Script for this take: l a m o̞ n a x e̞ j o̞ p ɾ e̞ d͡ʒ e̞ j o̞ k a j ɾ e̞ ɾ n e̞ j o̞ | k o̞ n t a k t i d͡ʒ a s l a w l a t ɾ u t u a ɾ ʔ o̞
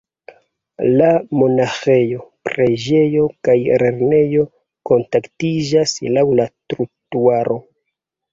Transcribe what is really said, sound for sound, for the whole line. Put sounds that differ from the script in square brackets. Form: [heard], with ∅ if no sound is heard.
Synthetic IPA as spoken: l a m o̞ n a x e̞ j o̞ p ɾ e̞ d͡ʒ e̞ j o̞ k a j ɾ e̞ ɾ n e̞ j o̞ | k o̞ n t a k t i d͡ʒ a s l a w l a t ɾ u t u a ɾ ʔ o̞